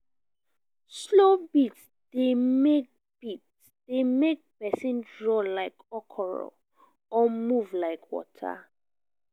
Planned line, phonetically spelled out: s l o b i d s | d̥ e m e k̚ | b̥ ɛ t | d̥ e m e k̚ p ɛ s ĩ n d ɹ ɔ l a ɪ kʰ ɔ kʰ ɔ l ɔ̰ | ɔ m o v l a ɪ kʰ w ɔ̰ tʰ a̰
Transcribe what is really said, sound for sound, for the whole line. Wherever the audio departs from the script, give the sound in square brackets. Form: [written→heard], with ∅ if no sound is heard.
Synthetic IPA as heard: s l o b i [d→t] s | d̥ e m e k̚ | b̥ [ɛ→i] t | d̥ e m e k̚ p ɛ s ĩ n d ɹ ɔ l a ɪ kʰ ɔ kʰ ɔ [l→ɹ] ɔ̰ | ɔ m [o→u] v l a ɪ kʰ w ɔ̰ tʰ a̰

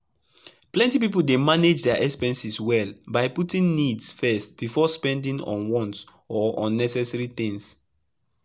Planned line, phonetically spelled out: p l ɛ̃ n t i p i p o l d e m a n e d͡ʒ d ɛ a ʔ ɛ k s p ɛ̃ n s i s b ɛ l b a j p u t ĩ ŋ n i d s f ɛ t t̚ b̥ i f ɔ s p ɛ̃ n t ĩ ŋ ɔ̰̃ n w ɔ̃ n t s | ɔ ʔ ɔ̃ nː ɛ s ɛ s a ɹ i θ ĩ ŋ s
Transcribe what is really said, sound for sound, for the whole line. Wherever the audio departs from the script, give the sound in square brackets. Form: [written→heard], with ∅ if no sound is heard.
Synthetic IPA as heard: p l ɛ̃ n t i p i p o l d e m a n e d͡ʒ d ɛ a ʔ ɛ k s p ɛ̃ n s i s [b→w] ɛ l b a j p u t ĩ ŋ n i d s f ɛ [t→s] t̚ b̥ i f ɔ s p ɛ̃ n [t→d] ĩ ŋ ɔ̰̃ n w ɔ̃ n t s | ɔ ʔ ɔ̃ nː ɛ s ɛ s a ɹ i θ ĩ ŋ s

